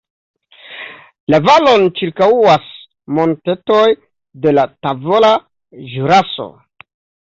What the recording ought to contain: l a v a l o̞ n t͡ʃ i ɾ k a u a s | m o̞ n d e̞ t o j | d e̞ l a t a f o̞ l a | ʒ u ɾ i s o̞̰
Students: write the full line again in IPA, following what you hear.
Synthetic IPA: l a v a l o̞ n t͡ʃ i ɾ k a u a s | m o̞ n t e̞ t o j | d e̞ l a t a v o̞ l a | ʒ u ɾ a s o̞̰